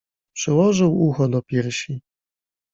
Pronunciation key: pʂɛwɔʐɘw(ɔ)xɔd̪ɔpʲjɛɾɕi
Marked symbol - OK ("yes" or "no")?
no